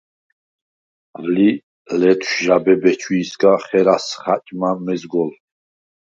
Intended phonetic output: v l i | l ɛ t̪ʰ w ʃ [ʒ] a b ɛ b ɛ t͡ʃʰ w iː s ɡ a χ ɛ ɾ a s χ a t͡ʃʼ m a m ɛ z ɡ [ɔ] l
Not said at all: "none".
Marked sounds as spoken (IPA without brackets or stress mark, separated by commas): ʒ, ɔ